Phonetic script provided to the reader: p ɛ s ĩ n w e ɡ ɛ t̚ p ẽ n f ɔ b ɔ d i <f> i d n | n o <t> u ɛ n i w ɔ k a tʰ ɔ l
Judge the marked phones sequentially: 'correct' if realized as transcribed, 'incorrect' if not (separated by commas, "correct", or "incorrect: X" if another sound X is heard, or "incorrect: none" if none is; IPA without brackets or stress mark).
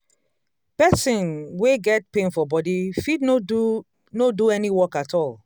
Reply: correct, incorrect: d